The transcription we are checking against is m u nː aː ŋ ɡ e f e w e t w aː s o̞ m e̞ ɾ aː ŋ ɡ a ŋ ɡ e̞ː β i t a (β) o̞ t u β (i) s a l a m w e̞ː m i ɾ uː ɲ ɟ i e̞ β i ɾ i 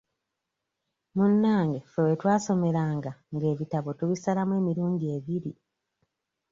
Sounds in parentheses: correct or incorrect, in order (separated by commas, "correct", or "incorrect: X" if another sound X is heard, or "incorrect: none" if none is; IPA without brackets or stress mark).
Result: correct, correct